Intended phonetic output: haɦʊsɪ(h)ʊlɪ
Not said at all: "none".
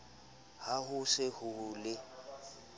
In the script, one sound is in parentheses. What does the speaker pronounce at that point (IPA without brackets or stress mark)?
h